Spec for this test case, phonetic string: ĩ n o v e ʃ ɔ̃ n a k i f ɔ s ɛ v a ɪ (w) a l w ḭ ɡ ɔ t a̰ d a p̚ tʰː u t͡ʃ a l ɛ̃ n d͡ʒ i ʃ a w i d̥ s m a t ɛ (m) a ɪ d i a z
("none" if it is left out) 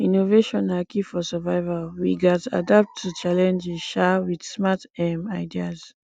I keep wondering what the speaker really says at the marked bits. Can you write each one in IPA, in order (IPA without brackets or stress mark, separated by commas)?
v, m